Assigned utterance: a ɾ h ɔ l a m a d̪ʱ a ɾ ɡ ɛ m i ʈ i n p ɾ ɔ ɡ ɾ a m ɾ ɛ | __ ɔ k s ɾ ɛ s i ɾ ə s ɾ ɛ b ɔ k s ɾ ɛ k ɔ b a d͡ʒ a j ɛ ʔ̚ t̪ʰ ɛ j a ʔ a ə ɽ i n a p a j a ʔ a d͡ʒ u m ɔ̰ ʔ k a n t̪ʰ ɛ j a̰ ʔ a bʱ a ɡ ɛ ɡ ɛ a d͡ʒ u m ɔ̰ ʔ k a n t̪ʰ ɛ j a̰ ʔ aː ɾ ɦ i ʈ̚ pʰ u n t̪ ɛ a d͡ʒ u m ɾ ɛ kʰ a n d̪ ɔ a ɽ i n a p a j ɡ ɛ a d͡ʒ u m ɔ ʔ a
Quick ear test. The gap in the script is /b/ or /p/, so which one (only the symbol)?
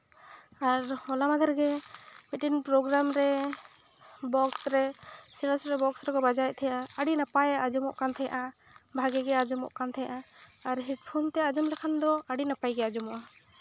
b